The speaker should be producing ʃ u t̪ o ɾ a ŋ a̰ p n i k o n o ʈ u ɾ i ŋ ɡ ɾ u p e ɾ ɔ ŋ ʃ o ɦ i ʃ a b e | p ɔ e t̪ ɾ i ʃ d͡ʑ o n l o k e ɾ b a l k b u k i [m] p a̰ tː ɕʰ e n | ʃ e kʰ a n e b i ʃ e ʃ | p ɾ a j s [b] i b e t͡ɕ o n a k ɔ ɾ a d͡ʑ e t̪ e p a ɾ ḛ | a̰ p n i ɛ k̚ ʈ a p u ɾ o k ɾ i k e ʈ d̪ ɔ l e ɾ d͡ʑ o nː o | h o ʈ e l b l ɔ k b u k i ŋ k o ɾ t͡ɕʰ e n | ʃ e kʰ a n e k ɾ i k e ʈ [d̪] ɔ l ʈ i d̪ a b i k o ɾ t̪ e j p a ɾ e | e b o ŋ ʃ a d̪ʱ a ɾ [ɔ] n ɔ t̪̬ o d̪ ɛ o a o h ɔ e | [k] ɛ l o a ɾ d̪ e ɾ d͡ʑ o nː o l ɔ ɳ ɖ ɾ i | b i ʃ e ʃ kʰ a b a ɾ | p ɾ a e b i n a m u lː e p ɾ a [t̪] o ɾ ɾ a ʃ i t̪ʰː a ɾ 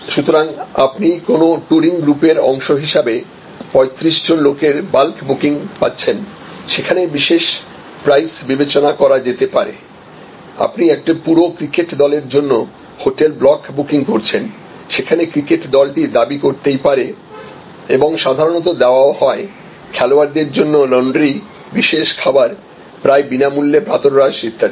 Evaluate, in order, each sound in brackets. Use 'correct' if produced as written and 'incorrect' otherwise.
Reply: incorrect, correct, correct, incorrect, incorrect, correct

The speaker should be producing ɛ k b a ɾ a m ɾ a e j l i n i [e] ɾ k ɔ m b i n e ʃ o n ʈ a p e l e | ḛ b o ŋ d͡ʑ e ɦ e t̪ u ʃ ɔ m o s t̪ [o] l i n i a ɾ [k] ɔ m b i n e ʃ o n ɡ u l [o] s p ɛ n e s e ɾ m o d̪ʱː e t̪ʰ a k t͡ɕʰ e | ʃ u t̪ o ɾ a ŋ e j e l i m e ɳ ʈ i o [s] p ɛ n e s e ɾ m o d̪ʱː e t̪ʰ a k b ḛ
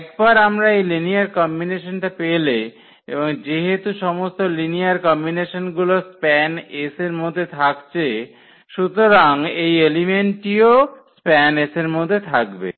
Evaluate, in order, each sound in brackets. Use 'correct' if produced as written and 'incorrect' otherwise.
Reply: incorrect, correct, correct, correct, correct

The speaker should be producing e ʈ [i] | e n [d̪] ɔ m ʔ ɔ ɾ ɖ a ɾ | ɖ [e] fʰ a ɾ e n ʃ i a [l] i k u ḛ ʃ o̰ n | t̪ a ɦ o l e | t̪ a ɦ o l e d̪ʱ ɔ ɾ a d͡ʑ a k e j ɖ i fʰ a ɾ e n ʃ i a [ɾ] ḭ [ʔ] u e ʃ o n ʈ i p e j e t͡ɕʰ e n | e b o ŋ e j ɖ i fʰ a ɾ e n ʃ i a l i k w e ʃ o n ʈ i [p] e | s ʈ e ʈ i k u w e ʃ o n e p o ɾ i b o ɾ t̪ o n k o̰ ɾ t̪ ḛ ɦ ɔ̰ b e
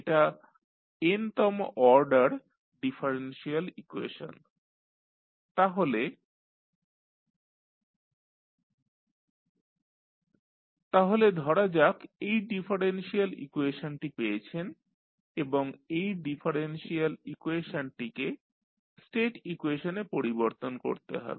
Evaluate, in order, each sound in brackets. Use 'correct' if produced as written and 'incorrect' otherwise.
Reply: incorrect, incorrect, incorrect, correct, incorrect, incorrect, incorrect

